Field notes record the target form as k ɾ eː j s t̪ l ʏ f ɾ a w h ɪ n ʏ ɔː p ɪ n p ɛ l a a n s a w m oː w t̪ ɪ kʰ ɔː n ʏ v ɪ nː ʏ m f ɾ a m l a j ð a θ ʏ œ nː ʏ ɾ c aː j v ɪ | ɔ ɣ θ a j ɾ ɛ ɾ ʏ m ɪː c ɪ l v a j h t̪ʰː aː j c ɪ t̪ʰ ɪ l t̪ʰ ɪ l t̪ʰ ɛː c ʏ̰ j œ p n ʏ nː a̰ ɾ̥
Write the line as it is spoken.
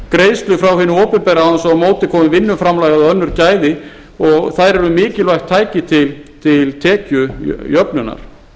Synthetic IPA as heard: k ɾ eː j s t̪ l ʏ f ɾ a w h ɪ n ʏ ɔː p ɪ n p ɛ ɾ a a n s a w m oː w t̪ ɪ kʰ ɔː m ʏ v ɪ nː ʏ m f ɾ a m l a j ɣ a ð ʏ œ nː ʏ ɾ c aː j ð ɪ | ɔ ɣ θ a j ɾ ɛ ɾ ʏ m ɪː c ɪ l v a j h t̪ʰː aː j c ɪ t̪ʰ ɪ l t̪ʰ ɪ l t̪ʰ ɛː c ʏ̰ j œ p n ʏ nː a̰ ɾ̥